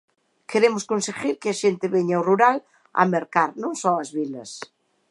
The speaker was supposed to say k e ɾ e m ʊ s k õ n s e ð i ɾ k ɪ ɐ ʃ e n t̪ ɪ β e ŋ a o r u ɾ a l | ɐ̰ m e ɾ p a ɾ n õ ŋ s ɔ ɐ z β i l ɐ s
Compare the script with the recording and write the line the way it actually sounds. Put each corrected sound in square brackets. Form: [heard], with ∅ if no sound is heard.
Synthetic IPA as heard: k e ɾ e m ʊ s k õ n s e [ɣ] i ɾ k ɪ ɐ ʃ e n t̪ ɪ β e [ɲ] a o r u ɾ a l | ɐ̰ m e ɾ [k] a ɾ n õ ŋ s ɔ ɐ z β i l ɐ s